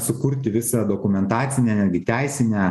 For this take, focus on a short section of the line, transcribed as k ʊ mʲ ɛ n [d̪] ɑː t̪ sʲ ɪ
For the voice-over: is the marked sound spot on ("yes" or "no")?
no